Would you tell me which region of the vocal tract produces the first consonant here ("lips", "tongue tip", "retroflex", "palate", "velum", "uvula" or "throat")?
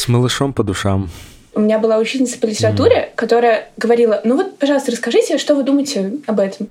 tongue tip